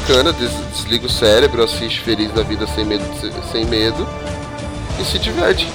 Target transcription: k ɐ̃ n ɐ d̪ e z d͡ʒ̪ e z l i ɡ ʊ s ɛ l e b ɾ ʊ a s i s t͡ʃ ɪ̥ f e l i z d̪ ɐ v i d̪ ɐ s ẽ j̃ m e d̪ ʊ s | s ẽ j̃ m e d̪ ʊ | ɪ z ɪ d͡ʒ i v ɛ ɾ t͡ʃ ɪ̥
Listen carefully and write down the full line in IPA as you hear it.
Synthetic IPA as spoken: k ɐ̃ n ɐ d̪ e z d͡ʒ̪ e z l i ɡ ʊ s ɛ ɾ e b ɾ ʊ a s i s t͡ʃ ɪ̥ f e l i z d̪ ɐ v i d̪ ɐ s ẽ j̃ m e d̪ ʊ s | s ẽ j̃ m e d̪ ʊ | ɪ s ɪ d͡ʒ i v ɛ ɾ t͡ʃ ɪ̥